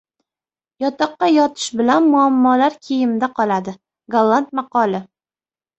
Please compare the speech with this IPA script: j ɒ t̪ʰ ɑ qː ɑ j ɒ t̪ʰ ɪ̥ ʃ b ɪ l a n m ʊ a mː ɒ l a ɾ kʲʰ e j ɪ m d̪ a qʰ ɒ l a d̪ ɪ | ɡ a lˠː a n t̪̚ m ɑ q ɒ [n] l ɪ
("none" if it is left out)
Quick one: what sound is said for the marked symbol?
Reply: none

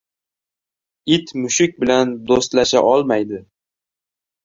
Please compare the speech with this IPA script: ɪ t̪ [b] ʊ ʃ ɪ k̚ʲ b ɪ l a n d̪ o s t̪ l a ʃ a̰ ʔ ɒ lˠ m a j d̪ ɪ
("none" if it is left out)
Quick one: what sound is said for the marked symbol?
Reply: m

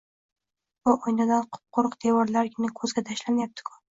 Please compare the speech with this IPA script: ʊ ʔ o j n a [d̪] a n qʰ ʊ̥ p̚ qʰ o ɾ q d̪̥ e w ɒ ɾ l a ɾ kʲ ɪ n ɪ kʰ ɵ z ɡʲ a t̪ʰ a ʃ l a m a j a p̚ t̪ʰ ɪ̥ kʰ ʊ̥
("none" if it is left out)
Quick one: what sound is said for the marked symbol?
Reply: d̪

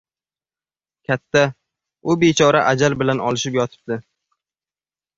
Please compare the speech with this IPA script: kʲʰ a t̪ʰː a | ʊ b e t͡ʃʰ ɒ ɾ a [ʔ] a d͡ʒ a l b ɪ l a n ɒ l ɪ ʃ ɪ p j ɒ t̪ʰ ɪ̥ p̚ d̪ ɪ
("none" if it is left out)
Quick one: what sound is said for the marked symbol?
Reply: ʔ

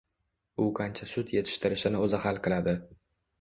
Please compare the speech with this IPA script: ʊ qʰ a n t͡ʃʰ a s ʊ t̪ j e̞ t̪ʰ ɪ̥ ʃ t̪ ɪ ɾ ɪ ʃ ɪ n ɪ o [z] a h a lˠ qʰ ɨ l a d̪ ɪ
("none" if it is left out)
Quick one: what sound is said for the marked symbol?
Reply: z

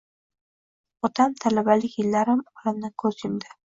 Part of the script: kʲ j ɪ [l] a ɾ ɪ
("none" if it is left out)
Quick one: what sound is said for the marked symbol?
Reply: lː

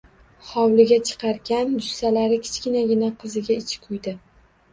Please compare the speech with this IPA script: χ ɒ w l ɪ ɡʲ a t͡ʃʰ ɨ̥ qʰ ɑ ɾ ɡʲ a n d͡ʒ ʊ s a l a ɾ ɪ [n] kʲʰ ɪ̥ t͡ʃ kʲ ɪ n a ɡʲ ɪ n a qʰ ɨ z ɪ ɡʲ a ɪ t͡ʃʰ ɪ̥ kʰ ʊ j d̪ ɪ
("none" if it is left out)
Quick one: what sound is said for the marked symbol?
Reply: none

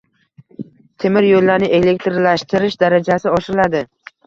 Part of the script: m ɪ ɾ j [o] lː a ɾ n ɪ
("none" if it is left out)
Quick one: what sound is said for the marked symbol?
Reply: o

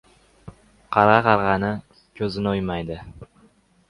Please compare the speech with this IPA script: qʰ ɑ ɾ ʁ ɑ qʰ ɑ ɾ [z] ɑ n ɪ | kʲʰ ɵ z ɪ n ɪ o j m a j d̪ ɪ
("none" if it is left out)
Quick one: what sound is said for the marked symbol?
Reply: ʁ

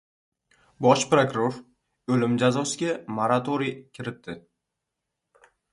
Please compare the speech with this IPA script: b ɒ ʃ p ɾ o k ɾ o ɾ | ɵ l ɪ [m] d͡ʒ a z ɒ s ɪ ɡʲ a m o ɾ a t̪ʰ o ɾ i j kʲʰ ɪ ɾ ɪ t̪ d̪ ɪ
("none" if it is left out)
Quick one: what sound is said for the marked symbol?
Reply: m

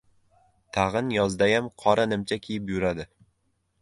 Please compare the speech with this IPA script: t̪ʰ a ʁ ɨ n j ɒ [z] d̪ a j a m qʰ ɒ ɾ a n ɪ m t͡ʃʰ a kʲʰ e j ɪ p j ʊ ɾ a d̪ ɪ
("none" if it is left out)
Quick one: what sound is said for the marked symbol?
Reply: z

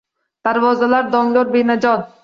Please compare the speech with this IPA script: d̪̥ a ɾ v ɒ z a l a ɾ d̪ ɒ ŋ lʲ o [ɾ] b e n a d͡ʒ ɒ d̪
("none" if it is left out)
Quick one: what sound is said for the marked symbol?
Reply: ɾ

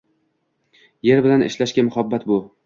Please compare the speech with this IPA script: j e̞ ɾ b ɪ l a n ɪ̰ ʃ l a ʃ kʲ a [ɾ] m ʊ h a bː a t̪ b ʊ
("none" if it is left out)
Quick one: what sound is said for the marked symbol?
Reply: none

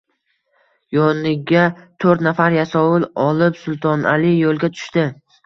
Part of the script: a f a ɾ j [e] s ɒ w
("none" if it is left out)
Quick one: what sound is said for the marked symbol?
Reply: a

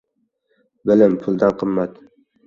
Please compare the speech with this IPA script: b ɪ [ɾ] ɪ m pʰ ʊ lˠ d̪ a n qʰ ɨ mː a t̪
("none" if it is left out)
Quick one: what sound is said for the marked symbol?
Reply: l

